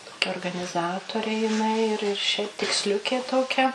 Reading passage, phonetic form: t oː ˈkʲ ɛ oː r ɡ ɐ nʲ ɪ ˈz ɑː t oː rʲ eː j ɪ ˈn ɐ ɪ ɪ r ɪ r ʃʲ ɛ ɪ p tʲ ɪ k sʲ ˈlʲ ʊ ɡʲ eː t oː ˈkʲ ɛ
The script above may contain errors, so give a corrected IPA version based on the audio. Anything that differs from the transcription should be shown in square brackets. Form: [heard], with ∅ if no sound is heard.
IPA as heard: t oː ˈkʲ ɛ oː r ɡ ɐ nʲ ɪ ˈz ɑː t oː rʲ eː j ɪ ˈn ɐ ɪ ɪ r ɪ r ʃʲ ɛ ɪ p tʲ ɪ k sʲ ˈlʲ ʊ [kʲ] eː t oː ˈkʲ ɛ